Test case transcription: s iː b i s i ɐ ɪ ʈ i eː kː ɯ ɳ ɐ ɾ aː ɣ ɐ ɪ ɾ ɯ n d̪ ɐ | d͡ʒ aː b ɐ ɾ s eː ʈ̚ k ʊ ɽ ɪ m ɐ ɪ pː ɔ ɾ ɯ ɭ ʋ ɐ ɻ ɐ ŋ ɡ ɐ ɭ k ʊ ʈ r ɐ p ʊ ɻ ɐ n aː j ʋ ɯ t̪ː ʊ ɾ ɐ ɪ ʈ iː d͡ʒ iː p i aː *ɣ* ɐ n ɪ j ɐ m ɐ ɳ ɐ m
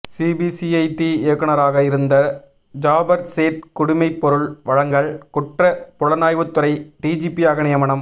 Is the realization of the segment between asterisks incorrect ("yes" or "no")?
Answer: no